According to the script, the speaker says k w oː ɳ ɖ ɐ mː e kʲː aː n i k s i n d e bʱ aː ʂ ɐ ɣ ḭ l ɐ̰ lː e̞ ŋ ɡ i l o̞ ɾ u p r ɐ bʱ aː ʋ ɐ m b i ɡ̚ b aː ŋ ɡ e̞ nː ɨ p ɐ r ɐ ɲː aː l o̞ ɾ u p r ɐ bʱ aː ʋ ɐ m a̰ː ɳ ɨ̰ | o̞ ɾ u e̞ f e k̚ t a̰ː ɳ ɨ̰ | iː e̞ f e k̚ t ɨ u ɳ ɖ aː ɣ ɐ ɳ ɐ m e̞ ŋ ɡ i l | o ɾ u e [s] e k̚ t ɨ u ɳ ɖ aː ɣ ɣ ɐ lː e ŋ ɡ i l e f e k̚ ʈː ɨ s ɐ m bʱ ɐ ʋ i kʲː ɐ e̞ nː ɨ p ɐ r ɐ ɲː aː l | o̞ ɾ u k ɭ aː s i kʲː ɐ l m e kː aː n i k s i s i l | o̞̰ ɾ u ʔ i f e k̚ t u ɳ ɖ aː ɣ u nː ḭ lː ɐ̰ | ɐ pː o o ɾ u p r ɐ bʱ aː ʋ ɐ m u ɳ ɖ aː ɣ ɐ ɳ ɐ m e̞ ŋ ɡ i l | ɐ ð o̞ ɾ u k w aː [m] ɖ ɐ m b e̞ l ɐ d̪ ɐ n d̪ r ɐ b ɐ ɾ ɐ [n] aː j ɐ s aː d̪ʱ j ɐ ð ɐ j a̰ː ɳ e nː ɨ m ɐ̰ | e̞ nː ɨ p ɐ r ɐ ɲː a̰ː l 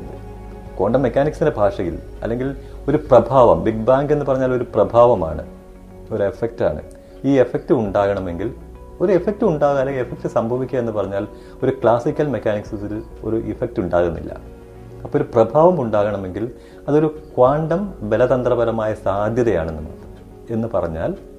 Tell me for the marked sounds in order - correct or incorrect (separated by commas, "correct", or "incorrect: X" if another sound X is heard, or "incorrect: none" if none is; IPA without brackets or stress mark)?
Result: incorrect: f, incorrect: ɳ, incorrect: m